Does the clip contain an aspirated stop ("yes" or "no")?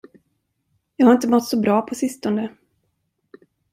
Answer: yes